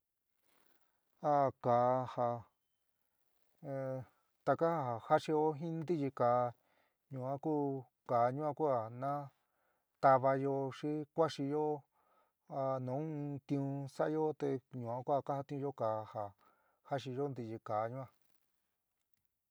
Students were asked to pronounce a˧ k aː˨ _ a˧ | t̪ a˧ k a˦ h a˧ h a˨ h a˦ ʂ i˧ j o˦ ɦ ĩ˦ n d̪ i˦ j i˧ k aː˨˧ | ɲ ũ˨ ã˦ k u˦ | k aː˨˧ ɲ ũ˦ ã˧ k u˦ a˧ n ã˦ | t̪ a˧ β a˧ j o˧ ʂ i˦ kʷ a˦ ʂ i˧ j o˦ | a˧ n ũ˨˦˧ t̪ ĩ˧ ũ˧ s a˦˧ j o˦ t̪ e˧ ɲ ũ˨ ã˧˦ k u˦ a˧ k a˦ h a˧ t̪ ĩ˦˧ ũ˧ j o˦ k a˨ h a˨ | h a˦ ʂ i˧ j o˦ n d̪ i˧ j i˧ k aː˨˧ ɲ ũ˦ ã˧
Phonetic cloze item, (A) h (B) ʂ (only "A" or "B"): A